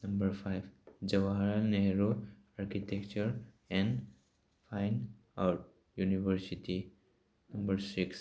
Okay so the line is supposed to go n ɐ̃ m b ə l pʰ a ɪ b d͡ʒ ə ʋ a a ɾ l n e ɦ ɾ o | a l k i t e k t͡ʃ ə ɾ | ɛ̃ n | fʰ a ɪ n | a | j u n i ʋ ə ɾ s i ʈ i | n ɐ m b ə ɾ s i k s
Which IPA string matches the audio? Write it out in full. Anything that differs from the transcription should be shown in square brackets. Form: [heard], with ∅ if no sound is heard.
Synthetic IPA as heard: n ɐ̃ m b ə [ɾ] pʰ a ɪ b d͡ʒ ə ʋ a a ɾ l n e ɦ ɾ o | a [ɾ] k i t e k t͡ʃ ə ɾ | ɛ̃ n | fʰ a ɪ n | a | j u n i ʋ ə ɾ s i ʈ i | n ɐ m b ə ɾ s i k s